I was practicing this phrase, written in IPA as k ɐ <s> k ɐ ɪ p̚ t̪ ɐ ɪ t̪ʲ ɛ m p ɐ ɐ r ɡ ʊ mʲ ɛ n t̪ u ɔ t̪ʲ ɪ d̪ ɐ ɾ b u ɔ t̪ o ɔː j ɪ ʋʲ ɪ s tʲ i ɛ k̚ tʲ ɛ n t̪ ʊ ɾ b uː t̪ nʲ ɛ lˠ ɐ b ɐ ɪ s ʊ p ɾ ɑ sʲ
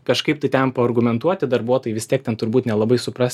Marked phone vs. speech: incorrect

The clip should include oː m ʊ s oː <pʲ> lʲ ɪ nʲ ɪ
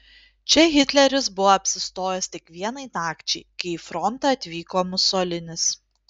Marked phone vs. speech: incorrect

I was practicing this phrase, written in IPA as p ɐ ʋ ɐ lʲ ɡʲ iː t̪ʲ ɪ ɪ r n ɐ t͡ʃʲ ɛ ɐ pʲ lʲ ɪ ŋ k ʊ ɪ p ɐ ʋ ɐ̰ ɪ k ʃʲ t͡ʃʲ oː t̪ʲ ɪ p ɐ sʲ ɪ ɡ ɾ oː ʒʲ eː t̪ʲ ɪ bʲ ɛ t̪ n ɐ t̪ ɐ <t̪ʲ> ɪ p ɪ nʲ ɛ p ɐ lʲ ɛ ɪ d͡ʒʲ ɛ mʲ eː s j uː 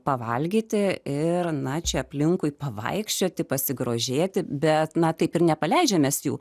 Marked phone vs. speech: incorrect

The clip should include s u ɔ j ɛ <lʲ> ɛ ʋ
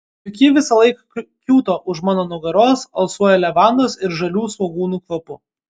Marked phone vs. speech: correct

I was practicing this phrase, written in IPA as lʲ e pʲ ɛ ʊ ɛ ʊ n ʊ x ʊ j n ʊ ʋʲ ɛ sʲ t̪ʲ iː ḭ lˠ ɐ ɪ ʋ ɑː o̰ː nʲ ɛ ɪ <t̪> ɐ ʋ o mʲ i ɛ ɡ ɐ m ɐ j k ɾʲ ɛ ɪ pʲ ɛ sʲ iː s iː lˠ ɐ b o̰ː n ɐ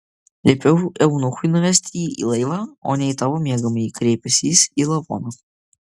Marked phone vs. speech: correct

